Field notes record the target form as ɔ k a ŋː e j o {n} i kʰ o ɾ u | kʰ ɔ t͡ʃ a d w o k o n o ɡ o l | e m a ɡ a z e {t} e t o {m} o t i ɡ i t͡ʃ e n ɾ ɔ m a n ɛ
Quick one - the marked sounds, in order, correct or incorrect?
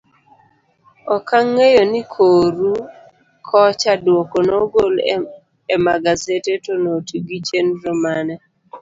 correct, correct, incorrect: n

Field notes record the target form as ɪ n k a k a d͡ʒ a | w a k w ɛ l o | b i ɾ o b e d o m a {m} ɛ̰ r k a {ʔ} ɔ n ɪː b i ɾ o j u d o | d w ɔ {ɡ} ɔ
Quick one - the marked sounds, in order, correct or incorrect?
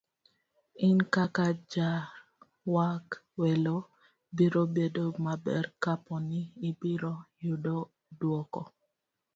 incorrect: b, incorrect: p, incorrect: k

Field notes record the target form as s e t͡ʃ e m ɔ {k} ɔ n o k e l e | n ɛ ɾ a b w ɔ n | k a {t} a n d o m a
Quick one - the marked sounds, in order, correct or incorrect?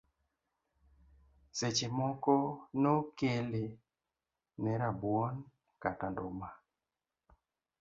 correct, correct

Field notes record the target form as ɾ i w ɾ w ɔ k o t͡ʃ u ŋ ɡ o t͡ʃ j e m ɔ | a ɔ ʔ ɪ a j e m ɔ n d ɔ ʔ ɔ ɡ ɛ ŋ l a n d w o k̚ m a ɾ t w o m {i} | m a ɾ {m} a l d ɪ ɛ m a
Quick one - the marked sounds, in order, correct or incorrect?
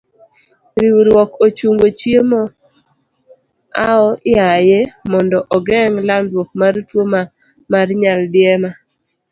incorrect: a, incorrect: ɲ

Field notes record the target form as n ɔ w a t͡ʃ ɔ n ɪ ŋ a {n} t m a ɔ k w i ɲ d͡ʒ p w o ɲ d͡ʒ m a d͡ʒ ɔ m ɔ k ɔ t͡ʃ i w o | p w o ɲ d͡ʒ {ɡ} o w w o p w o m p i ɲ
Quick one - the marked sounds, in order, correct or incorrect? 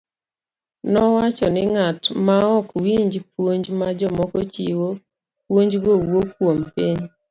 incorrect: none, correct

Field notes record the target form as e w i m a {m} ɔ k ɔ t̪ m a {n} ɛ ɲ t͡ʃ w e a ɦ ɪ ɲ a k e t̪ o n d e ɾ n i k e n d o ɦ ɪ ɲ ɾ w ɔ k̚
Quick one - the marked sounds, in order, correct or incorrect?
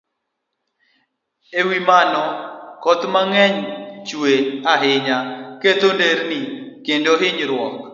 incorrect: n, incorrect: ŋ

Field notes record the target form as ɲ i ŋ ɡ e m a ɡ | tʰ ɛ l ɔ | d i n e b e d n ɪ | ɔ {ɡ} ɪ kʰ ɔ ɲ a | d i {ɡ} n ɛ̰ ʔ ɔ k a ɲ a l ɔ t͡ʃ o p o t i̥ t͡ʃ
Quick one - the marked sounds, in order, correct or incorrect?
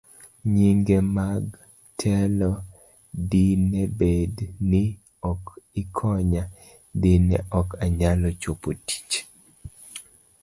incorrect: k, incorrect: none

